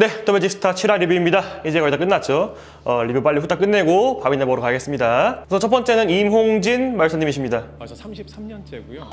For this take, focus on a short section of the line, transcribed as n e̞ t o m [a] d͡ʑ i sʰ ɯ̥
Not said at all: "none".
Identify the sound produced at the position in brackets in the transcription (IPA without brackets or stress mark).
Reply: e